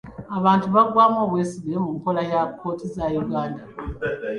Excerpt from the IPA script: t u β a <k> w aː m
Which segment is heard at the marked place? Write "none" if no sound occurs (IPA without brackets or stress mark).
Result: ɡ